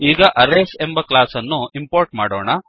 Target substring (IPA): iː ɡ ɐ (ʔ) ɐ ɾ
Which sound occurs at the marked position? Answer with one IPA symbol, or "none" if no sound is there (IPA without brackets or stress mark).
ʔ